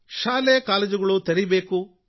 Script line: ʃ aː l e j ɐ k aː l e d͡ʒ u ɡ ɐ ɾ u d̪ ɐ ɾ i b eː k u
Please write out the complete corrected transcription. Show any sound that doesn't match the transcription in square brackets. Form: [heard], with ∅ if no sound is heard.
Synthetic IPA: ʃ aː l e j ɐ k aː l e d͡ʒ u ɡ ɐ [ɭ] u [t̪] ɐ ɾ i b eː k u